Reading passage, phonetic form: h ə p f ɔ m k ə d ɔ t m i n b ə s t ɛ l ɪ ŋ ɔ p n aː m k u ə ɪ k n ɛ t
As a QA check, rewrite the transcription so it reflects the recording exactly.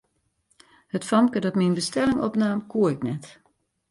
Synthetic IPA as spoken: h ə t f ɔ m k ə d ɔ t m i n b ə s t ɛ l ɪ ŋ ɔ p n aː m k u ə ɪ k n ɛ t